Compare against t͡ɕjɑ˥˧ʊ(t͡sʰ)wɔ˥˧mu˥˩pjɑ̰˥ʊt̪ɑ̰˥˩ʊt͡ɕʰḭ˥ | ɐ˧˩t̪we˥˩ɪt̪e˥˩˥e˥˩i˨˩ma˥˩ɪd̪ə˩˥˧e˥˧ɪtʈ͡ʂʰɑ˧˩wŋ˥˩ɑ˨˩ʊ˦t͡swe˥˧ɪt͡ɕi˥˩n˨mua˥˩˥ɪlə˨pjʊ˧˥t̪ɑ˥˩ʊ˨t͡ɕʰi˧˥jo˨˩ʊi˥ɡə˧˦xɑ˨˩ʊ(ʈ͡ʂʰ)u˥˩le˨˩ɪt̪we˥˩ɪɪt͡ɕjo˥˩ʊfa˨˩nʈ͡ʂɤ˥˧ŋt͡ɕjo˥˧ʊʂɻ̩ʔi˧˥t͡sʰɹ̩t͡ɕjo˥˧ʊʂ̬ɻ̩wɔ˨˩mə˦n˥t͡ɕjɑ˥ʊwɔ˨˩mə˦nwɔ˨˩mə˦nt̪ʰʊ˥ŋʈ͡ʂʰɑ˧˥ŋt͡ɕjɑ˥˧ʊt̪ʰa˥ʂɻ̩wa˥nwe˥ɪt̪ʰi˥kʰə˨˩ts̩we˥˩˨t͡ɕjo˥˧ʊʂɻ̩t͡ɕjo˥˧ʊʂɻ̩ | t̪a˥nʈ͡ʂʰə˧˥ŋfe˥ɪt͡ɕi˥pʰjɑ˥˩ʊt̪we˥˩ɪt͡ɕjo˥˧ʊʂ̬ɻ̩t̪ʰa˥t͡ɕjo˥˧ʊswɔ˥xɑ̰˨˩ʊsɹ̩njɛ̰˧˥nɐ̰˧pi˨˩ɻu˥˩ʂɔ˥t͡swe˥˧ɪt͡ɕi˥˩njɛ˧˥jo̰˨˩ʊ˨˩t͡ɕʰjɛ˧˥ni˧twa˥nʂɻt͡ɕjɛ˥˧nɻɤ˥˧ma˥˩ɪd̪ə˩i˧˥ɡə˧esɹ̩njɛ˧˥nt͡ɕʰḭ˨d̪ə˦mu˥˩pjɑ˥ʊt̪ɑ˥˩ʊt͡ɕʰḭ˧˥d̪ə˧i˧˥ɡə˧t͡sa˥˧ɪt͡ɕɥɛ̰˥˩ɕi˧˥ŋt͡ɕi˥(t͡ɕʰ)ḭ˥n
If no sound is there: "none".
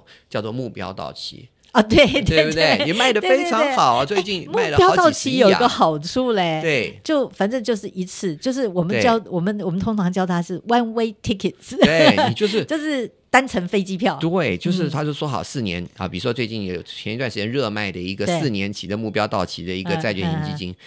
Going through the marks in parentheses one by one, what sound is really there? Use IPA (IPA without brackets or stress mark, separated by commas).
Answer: t͡s, ʈ͡ʂʰ, t͡ɕ